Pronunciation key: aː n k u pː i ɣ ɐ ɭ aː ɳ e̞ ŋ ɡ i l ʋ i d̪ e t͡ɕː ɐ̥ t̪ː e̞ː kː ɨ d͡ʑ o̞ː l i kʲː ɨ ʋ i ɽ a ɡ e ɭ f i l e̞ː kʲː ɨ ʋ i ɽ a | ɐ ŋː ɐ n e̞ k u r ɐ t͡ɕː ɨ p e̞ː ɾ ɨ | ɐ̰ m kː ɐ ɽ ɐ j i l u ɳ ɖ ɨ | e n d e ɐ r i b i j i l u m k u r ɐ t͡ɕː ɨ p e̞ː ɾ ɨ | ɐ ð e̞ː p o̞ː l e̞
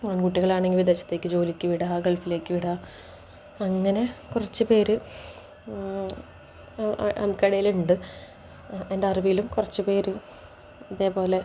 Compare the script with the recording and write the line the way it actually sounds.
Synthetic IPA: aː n k u ʈː i ɣ ɐ ɭ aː ɳ e̞ ŋ ɡ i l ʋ i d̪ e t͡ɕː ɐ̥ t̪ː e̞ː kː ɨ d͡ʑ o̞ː l i kʲː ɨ ʋ i ɽ a ɡ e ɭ f i l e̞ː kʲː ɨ ʋ i ɽ a | ɐ ŋː ɐ n e̞ k u r ɐ t͡ɕː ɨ p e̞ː ɾ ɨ | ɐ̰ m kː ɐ ɽ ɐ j i l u ɳ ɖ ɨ | e n d e ɐ r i b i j i l u m k u r ɐ t͡ɕː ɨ p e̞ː ɾ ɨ | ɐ ð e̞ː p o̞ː l e̞